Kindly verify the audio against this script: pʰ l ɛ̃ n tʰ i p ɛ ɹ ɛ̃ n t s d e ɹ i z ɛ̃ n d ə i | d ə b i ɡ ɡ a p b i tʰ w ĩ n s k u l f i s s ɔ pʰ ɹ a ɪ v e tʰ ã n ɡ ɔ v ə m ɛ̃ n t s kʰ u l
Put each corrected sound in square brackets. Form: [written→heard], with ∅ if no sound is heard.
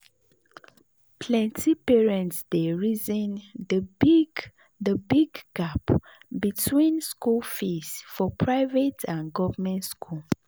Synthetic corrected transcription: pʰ l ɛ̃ n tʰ i p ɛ ɹ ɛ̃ n t s d e ɹ i z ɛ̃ n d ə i | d ə b i ɡ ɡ a p b i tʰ w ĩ n s k u l f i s [s→f] ɔ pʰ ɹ a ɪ v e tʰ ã n ɡ ɔ v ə m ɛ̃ n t s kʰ u l